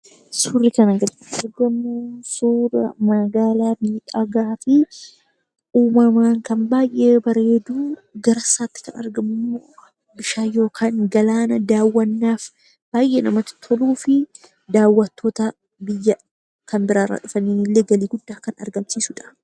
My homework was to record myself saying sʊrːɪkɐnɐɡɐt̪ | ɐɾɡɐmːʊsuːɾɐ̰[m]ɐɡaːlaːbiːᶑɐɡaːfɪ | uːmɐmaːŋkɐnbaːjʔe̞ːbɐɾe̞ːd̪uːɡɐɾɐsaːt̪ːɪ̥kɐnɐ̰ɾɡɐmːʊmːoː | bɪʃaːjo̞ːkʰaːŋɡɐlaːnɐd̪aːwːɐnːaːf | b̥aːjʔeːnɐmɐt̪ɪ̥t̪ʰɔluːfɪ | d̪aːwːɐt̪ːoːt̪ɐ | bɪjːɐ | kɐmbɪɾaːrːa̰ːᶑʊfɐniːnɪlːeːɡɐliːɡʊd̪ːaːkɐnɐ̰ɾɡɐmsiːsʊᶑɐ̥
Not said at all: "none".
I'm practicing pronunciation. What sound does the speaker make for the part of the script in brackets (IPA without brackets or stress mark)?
m